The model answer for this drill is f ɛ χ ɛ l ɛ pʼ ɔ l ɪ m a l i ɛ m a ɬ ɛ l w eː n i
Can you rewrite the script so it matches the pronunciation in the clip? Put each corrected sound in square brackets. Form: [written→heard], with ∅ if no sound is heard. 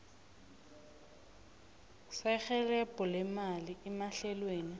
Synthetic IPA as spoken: [f→s] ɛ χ ɛ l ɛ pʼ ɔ l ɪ m a l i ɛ m a ɬ ɛ l w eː n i